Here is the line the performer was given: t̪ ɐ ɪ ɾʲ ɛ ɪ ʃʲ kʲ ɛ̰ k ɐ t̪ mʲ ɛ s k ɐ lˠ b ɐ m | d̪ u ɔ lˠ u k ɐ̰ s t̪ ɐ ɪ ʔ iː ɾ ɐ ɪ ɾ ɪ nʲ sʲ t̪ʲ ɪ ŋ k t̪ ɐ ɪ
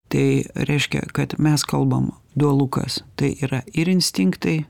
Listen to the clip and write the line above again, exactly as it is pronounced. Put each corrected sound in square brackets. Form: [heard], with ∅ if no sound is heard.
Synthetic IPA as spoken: t̪ ɐ ɪ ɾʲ ɛ ɪ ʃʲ kʲ ɛ̰ k ɐ t̪ mʲ ɛ s k ɐ lˠ b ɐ m | d̪ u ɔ lˠ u k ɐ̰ s t̪ ɐ ɪ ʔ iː ɾ ɐ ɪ ɾ ɪ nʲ sʲ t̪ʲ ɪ ŋ k t̪ ɐ ɪ

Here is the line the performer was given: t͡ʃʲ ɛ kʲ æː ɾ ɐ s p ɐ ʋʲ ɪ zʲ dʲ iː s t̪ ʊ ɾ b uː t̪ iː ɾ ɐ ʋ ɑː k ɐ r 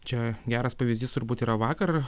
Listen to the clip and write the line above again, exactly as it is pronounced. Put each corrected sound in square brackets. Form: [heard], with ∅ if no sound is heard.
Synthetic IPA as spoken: t͡ʃʲ ɛ [ɡʲ] æː ɾ ɐ s p ɐ ʋʲ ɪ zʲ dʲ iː s t̪ ʊ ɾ b uː t̪ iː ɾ ɐ ʋ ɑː k ɐ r

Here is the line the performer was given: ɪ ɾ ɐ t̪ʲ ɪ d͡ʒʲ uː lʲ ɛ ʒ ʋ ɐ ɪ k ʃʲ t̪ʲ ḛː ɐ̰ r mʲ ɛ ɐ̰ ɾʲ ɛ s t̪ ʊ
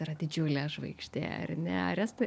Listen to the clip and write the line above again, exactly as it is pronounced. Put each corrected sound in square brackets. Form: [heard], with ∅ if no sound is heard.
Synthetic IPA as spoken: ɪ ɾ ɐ [d̪ʲ] ɪ d͡ʒʲ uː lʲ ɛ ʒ ʋ ɐ ɪ k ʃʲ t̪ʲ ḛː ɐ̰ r [nʲ] ɛ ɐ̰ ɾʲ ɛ s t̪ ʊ

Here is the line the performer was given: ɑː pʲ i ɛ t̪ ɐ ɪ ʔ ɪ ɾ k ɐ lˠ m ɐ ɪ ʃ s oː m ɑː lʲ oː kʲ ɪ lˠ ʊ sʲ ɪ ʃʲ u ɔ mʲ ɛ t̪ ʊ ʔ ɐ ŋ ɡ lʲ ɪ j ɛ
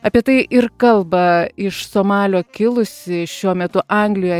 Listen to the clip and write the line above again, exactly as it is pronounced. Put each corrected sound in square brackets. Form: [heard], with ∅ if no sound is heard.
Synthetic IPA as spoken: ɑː pʲ i ɛ t̪ ɐ ɪ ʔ ɪ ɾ k ɐ lˠ [b] ɐ ɪ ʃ s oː m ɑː lʲ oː kʲ ɪ lˠ ʊ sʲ ɪ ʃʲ u ɔ mʲ ɛ t̪ ʊ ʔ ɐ ŋ ɡ lʲ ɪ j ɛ

